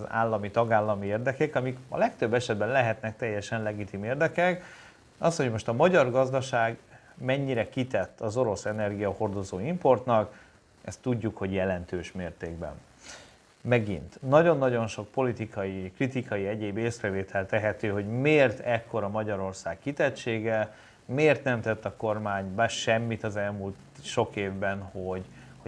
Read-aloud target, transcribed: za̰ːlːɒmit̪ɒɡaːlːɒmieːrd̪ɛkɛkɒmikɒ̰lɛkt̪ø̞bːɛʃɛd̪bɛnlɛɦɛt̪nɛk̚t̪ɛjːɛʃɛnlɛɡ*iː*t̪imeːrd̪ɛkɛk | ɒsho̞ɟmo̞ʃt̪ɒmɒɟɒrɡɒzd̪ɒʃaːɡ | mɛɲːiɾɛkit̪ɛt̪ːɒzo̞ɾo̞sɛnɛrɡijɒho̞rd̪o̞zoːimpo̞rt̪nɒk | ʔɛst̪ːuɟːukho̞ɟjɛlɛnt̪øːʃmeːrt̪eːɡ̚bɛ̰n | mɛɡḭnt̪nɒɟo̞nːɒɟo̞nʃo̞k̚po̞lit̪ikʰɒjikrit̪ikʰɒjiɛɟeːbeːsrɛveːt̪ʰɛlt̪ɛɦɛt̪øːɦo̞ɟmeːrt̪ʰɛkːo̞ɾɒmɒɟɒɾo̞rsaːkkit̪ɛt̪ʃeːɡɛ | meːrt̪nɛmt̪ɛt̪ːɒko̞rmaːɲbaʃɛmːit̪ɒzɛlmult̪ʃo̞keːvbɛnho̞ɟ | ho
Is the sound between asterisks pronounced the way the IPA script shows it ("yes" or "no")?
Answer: no